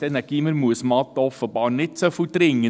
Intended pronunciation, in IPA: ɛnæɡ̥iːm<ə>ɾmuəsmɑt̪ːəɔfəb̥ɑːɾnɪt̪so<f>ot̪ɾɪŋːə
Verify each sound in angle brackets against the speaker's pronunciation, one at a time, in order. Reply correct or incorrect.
correct, correct

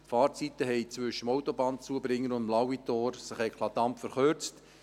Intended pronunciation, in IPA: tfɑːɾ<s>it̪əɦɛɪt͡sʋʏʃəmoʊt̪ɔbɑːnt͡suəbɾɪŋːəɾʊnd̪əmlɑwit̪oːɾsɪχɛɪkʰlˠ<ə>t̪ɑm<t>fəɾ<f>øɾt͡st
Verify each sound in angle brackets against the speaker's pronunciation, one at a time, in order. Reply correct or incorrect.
incorrect: t͡s, incorrect: ɑ, incorrect: p, incorrect: χ

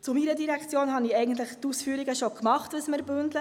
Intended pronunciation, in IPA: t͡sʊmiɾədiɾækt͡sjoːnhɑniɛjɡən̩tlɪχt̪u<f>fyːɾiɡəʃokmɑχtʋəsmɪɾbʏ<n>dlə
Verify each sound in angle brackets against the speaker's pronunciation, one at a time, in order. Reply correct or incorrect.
incorrect: s, correct

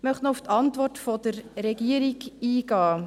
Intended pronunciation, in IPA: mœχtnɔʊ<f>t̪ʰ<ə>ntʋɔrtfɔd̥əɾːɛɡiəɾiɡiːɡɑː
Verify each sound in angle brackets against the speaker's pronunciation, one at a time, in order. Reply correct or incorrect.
correct, incorrect: ɑ

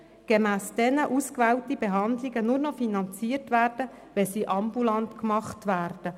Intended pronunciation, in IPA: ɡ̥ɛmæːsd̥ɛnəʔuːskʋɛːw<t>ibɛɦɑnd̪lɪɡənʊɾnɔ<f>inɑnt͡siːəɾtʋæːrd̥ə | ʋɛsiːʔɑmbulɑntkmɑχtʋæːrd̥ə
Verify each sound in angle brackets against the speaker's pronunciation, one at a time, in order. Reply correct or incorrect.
correct, correct

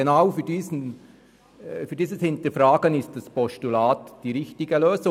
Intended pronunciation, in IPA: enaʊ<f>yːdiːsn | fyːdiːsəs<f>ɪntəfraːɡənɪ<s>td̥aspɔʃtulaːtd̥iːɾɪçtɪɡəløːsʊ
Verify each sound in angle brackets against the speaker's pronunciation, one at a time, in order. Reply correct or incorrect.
correct, incorrect: h, correct

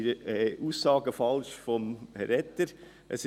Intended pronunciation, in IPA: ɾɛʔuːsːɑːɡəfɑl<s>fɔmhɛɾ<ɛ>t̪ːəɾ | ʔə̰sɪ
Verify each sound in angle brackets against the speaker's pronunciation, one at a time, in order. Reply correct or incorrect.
incorrect: ʃ, correct

